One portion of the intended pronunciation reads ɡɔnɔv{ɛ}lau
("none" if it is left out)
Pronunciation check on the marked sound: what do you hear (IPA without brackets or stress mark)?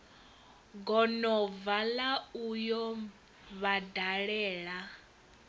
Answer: a